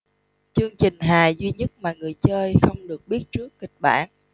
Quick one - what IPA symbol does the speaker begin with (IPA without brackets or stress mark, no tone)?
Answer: t͡ɕ